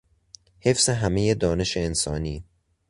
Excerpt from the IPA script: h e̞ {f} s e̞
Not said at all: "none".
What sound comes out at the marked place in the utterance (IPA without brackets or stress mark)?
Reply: f